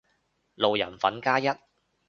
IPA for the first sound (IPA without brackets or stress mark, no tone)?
l